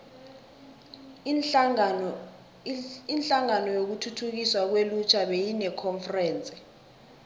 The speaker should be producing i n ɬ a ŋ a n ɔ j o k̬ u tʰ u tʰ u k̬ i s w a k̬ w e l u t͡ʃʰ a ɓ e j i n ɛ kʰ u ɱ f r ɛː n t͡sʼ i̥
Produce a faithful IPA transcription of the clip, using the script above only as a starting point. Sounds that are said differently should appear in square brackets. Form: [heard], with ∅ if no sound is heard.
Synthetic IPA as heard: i n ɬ a ŋ a n ɔ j o k̬ u tʰ u tʰ u k̬ i s w a k̬ w e l u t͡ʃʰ a ɓ e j i n ɛ kʰ [ɔ] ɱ f r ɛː n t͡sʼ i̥